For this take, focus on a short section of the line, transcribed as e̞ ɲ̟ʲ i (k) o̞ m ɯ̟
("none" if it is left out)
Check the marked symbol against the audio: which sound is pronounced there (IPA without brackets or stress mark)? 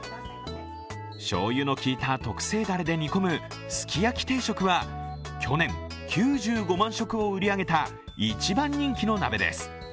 k